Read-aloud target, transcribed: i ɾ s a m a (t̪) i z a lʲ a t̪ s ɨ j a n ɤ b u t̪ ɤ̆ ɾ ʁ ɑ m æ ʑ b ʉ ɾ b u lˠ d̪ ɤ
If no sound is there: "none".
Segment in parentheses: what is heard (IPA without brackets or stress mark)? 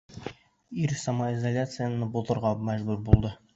none